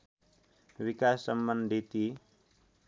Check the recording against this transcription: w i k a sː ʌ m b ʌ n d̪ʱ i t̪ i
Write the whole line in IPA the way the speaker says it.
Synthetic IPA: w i k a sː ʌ m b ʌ n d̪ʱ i t̪ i